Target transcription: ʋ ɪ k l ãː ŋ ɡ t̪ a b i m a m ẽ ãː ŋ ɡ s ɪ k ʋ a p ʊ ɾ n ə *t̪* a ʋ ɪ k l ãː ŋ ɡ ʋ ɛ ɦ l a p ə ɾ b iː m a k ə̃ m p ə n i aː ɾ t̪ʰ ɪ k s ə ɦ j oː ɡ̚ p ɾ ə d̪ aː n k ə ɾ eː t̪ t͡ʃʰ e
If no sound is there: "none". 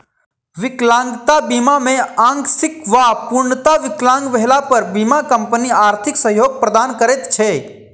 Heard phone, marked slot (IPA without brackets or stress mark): t̪